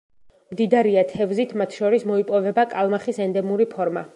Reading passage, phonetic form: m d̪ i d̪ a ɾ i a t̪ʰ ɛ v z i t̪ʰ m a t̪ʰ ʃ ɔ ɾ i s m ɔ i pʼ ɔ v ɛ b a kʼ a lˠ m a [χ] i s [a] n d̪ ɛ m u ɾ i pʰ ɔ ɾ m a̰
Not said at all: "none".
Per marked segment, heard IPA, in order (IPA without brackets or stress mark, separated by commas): χ, ɛ